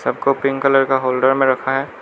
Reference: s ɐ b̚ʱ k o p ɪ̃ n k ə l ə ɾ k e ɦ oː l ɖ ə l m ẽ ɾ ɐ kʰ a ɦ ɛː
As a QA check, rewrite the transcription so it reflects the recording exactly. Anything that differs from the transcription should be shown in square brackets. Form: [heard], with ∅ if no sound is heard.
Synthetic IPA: s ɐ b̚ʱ k o p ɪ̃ [ŋ] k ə l ə ɾ k [a] ɦ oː l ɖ ə [ɾ] m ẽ ɾ ɐ kʰ a ɦ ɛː